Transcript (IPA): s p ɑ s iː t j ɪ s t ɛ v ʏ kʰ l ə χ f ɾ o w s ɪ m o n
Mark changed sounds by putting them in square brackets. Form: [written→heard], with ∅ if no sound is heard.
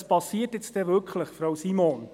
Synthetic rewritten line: s p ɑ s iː t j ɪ [s→t͡s] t ɛ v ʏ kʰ l ə χ f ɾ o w s [ɪ→i] m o n